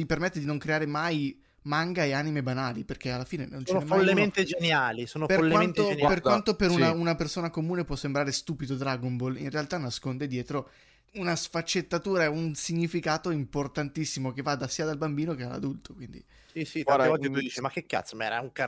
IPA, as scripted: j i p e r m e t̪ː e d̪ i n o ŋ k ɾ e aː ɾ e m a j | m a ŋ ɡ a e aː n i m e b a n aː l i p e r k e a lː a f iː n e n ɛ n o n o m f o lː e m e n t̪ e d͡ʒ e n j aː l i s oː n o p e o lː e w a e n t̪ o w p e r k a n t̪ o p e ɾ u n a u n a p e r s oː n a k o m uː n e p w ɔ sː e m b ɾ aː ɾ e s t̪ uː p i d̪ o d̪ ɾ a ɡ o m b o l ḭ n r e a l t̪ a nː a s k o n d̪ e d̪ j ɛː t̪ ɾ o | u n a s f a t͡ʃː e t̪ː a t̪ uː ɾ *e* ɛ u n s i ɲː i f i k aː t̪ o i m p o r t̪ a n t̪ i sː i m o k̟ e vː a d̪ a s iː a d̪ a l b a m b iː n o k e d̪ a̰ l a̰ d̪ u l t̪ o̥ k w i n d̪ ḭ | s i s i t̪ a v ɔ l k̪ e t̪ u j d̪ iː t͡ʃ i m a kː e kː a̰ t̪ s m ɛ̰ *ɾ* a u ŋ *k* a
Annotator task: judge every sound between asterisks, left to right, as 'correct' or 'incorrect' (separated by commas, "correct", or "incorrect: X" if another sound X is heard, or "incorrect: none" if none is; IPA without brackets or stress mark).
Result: incorrect: a, correct, correct